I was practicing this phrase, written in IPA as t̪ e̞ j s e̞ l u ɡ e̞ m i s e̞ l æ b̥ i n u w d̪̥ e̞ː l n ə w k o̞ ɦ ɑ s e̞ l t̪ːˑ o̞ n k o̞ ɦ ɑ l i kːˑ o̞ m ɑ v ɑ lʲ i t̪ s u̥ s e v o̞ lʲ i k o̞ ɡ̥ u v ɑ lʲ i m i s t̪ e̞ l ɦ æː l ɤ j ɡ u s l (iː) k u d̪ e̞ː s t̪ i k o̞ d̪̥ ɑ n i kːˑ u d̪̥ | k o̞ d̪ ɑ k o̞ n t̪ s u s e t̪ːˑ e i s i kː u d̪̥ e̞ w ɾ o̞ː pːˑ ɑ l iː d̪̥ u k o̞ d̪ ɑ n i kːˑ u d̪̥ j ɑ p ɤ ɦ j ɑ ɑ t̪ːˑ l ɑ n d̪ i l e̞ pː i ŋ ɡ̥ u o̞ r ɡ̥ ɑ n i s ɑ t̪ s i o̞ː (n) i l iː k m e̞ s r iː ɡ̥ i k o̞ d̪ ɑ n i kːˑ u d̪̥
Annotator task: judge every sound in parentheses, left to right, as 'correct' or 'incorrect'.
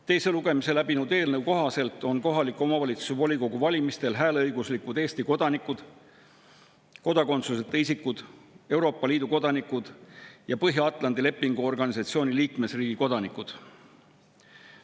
incorrect: i, correct

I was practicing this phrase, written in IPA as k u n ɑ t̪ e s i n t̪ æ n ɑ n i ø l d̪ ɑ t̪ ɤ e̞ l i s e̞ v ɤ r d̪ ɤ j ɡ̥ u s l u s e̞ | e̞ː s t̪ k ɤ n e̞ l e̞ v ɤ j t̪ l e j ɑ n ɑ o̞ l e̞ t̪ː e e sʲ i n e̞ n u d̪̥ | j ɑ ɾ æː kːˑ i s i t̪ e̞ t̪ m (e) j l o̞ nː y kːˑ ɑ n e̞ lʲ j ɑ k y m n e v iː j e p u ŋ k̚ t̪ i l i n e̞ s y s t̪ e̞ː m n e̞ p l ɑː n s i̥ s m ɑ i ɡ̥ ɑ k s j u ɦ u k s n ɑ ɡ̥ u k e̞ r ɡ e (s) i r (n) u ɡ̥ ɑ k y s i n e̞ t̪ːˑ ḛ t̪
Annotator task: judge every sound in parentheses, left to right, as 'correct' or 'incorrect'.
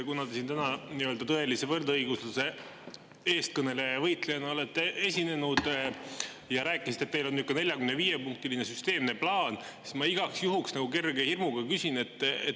correct, incorrect: h, incorrect: m

